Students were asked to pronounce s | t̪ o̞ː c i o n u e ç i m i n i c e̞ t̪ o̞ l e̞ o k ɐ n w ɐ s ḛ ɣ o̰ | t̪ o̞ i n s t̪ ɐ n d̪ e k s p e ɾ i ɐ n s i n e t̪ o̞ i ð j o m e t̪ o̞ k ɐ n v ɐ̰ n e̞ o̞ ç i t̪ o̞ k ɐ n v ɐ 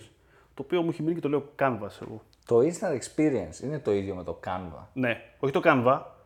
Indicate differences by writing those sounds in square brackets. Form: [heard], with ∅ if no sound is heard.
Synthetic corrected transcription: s | t̪ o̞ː [p] i o [m] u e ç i m i n i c e̞ t̪ o̞ l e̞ o k ɐ n [v] ɐ s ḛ ɣ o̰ | t̪ o̞ i n s t̪ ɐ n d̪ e k s p [i] ɾ i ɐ n s i n e t̪ o̞ i ð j o m e t̪ o̞ k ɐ n v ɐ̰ n e̞ o̞ ç i t̪ o̞ k ɐ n v ɐ